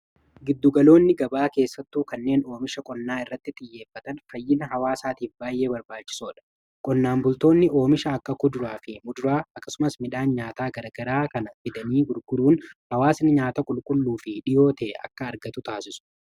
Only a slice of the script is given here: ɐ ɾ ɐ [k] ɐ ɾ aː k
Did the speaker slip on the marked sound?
yes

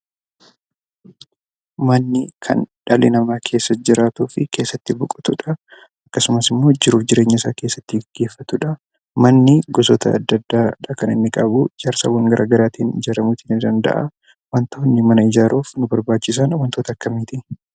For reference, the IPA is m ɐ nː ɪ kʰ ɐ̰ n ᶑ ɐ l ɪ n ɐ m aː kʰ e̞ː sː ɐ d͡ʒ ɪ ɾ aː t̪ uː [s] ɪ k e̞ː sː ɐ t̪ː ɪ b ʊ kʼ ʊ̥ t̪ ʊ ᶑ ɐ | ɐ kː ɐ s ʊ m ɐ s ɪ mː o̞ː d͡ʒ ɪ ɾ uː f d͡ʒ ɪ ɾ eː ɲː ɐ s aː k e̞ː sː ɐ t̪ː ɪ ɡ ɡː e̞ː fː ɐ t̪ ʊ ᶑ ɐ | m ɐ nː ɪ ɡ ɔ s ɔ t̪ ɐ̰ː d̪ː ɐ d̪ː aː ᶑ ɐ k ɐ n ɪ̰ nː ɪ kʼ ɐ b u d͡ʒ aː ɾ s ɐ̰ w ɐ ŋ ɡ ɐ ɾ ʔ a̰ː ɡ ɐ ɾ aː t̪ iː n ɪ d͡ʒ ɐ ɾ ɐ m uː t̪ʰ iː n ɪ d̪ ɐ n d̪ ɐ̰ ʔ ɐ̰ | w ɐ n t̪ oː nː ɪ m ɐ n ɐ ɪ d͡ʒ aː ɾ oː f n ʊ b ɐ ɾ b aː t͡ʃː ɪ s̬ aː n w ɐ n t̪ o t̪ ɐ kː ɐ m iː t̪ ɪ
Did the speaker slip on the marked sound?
yes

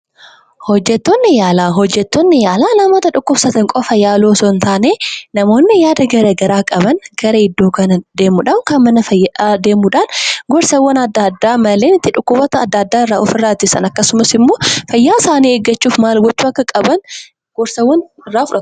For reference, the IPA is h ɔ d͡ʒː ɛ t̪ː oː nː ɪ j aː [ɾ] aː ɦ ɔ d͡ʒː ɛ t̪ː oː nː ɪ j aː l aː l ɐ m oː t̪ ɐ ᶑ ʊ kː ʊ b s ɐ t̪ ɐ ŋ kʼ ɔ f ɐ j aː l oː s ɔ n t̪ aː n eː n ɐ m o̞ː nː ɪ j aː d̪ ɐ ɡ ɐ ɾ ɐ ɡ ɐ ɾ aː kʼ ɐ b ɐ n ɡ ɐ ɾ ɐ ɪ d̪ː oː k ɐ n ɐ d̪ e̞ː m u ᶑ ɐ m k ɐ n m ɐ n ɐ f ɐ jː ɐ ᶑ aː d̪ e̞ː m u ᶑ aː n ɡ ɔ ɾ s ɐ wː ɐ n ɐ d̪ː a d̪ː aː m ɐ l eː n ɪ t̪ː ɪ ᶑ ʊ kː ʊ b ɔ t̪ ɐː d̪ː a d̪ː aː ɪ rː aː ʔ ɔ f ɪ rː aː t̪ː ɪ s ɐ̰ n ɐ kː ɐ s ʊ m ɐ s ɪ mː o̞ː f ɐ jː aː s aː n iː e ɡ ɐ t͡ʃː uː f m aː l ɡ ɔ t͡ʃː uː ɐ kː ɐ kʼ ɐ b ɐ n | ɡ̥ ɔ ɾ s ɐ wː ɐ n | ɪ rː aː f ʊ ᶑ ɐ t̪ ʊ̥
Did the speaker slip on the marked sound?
yes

